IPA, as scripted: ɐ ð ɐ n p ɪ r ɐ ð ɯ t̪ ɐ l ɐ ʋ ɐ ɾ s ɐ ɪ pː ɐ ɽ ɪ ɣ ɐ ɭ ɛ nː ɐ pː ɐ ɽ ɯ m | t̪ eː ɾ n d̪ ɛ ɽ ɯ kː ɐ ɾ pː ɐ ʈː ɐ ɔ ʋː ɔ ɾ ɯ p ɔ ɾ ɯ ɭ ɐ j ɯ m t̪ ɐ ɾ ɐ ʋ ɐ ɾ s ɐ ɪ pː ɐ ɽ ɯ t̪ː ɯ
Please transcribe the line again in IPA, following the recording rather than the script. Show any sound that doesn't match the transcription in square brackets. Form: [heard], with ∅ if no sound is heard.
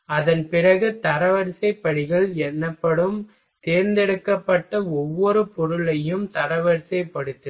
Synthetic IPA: ɐ ð ɐ n p ɪ r ɐ [ɣ] ɯ t̪ ɐ [ɾ] ɐ ʋ ɐ ɾ s ɐ ɪ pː ɐ ɽ ɪ ɣ ɐ ɭ ɛ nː ɐ pː ɐ ɽ ɯ m | t̪ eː ɾ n d̪ ɛ ɽ ɯ kː ɐ [∅] pː ɐ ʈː ɐ ɔ ʋː ɔ ɾ ɯ p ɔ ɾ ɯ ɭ ɐ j ɯ m t̪ ɐ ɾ ɐ ʋ ɐ ɾ s ɐ ɪ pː ɐ ɽ ɯ t̪ː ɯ